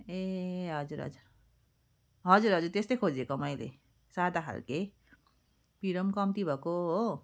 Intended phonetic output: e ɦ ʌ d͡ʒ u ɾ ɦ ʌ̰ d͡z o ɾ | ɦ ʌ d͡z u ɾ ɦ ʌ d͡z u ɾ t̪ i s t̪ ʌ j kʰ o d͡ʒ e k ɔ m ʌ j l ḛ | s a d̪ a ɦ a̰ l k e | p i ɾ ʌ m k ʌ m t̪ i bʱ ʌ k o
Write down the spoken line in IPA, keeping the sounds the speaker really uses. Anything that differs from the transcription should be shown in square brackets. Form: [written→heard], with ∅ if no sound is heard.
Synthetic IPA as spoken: e ɦ ʌ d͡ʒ u ɾ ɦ ʌ̰ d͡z [o→u] ɾ | ɦ ʌ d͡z u ɾ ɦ ʌ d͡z u ɾ t̪ [i→e] s t̪ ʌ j kʰ o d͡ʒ e k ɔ m ʌ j l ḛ | s a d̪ a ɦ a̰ l k e | p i ɾ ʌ m k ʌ m t̪ i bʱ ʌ k o